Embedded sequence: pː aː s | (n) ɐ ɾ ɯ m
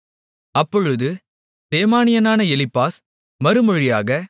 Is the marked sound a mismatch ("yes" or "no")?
yes